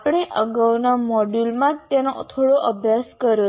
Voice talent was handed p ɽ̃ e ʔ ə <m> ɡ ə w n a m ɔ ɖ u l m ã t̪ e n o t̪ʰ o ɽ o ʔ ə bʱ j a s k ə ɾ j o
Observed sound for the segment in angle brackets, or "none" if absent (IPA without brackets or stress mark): none